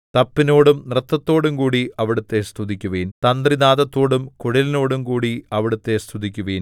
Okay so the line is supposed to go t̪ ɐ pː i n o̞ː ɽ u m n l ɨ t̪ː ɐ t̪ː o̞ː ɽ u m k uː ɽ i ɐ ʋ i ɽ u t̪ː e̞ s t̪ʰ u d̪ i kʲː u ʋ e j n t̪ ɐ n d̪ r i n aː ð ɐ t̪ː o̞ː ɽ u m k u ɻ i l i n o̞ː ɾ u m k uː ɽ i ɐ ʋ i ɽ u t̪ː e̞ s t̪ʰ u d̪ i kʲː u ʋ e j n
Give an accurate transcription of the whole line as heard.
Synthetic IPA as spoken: t̪ ɐ pː i n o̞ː ɽ u m n r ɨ t̪ː ɐ t̪ː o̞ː ɽ u m k uː ɽ i ɐ ʋ i ɽ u t̪ː e̞ s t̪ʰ u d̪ i kʲː u ʋ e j n t̪ ɐ n d̪ r i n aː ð ɐ t̪ː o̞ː ɽ u m k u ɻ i l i n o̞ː ɽ u m k uː ɽ i ɐ ʋ i ɽ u t̪ː e̞ s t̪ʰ u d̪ i kʲː u ʋ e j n